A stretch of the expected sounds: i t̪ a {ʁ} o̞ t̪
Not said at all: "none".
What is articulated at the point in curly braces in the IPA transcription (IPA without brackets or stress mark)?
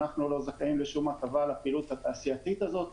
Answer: z